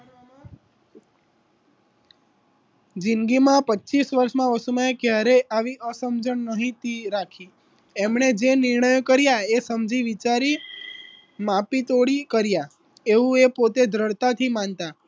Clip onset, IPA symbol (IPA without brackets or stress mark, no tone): d͡ʒ